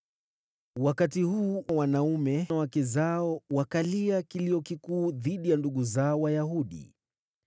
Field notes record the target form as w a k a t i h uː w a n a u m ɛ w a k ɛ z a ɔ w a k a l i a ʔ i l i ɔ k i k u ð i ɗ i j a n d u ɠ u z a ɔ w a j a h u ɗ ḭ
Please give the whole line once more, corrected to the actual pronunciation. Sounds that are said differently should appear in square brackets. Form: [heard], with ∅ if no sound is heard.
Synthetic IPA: w a k a t i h uː w a n a u m ɛ w a k ɛ z a ɔ w a k a l i a [k] i l i ɔ k i k [uː] ð i ɗ i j a n d u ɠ u z a ɔ w a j a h u ɗ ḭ